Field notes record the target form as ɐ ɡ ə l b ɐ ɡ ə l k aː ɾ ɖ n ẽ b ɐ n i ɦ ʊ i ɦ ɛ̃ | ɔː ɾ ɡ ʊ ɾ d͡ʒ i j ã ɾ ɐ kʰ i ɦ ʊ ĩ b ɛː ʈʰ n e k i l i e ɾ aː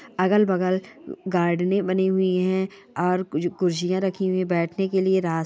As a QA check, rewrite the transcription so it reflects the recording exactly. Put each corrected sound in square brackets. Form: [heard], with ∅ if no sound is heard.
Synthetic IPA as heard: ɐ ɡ ə l b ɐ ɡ ə l [ɡ] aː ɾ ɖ n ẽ b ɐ n i ɦ ʊ i ɦ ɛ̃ | ɔː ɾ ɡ ʊ ɾ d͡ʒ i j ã ɾ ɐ kʰ i ɦ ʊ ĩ b ɛː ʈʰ n e k [e] l i e ɾ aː